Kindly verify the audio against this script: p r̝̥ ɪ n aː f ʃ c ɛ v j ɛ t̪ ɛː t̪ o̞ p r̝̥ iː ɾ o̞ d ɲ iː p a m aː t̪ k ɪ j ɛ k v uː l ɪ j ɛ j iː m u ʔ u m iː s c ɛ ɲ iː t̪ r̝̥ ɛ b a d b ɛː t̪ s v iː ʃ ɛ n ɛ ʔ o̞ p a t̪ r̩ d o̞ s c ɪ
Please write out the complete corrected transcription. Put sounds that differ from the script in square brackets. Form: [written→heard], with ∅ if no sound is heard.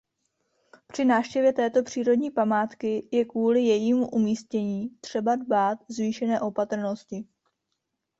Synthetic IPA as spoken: p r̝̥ ɪ n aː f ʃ c ɛ v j ɛ t̪ ɛː t̪ o̞ p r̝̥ iː ɾ o̞ d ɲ iː p a m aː t̪ k ɪ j ɛ k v uː l ɪ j ɛ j iː m u ʔ u m iː s c ɛ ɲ iː t̪ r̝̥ ɛ b a d b [ɛː→aː] t̪ [s→z] v iː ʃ ɛ n [ɛ→ɛː] ʔ o̞ p a t̪ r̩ [d→n] o̞ s c ɪ